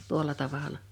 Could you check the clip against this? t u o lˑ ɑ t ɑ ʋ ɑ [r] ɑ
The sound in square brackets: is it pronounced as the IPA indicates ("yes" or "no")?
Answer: no